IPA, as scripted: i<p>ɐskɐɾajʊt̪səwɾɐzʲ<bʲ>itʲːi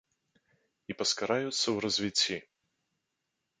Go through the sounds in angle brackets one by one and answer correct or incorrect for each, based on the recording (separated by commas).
correct, incorrect